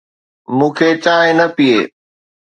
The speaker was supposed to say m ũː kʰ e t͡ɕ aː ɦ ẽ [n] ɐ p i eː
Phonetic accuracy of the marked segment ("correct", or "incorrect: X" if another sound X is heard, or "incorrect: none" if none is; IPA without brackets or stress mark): correct